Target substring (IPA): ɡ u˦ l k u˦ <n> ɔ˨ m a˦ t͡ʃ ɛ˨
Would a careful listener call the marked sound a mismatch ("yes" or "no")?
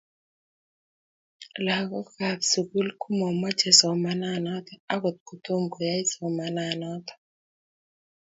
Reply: yes